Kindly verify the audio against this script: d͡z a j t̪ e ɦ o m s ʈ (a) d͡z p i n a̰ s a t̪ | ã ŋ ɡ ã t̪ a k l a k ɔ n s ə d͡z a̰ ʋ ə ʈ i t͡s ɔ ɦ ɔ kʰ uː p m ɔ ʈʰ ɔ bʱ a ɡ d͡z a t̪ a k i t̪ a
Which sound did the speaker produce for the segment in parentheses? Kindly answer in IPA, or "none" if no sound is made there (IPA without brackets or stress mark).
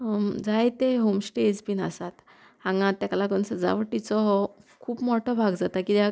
e